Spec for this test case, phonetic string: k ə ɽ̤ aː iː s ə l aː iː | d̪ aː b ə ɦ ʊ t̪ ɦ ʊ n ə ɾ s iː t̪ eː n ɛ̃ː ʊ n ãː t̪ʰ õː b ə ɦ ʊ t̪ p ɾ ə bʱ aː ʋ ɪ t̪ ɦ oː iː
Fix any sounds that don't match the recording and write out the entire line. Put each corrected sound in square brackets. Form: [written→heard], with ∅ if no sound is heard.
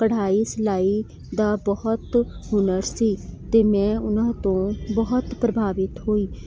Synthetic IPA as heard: k ə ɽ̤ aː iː s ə l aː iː | d̪ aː b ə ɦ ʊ t̪ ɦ ʊ n ə ɾ s iː t̪ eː [n→m] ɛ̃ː ʊ n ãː [t̪ʰ→t̪] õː b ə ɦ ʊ t̪ p ɾ ə bʱ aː ʋ ɪ t̪ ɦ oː iː